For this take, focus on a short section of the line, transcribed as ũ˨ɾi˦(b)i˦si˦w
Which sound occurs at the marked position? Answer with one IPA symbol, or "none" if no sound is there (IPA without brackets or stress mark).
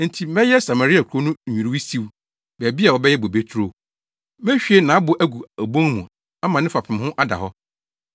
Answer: w